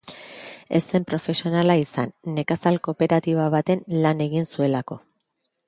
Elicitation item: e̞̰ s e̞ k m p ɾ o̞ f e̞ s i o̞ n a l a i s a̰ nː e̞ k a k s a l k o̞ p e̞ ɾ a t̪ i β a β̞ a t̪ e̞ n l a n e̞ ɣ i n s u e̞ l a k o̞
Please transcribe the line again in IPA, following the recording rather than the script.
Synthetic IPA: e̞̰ s e̞ m p ɾ o̞ f e̞ s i o̞ n a l a i s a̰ nː e̞ k a s a l k o̞ p e̞ ɾ a t̪ i β a β̞ a t̪ e̞ n l a n e̞ ɣ i n s u e̞ l a k o̞